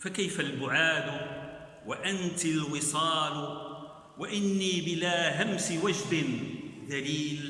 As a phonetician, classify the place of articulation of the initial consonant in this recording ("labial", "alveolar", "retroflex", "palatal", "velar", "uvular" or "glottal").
labial